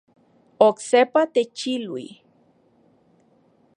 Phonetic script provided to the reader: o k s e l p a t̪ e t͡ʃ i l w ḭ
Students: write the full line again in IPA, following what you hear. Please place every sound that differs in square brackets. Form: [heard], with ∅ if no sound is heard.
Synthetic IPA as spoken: o k s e [∅] p a t̪ e t͡ʃ i l w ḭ